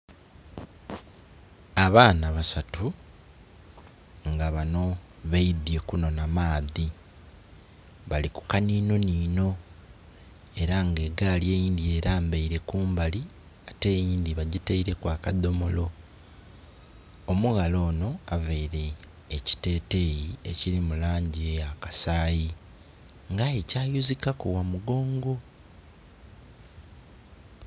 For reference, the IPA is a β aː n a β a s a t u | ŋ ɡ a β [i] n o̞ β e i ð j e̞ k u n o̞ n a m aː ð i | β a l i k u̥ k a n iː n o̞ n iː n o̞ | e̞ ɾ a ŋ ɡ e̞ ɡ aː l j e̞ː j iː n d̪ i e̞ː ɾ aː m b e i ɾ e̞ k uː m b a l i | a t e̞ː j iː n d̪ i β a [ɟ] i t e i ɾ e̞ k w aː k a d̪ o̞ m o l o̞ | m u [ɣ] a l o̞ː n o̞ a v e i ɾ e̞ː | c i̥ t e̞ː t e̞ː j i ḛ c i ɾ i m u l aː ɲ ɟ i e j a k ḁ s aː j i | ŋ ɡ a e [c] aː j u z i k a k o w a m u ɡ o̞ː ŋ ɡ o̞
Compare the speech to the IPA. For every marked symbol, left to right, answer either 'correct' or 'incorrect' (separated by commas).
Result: incorrect, correct, correct, correct